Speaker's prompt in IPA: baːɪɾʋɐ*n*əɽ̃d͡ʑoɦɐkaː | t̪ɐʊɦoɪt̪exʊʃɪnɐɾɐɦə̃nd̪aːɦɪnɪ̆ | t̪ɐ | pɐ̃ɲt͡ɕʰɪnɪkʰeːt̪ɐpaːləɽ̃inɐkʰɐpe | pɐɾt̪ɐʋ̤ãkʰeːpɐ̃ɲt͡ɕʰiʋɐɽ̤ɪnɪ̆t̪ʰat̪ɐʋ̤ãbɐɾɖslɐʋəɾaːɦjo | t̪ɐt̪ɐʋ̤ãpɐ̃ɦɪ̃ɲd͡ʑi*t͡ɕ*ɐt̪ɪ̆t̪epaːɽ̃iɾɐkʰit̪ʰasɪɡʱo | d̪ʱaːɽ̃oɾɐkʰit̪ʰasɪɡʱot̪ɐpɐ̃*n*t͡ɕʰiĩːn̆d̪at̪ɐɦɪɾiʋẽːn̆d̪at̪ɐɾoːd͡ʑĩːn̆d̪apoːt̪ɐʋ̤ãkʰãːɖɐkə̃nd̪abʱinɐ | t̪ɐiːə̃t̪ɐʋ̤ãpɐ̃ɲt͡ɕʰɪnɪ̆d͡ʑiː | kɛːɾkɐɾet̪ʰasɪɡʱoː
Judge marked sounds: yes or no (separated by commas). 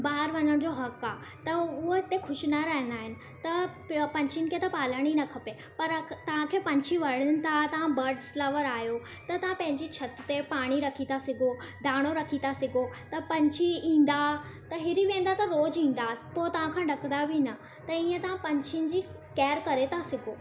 no, no, no